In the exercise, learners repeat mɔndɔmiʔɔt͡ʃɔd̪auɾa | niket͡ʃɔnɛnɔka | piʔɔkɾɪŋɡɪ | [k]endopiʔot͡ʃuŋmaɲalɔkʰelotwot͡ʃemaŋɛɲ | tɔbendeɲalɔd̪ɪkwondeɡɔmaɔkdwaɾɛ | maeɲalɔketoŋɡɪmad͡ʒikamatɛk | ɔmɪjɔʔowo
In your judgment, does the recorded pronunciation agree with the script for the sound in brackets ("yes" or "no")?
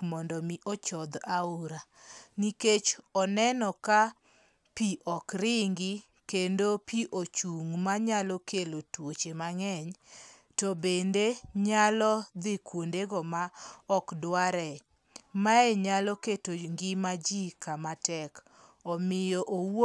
yes